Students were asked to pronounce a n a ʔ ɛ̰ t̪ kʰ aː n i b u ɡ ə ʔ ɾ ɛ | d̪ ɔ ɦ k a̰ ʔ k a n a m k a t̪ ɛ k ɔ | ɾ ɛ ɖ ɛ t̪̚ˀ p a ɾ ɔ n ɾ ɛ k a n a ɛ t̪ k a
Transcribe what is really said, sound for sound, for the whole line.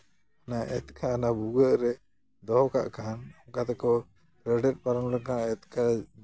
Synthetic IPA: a n a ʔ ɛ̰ t̪ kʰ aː n a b u ɡ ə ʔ ɾ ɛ | d̪ ɔ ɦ k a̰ ʔ k a n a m k a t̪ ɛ k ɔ | ɾ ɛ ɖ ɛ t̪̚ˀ p a ɾ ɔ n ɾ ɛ k a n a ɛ t̪ k a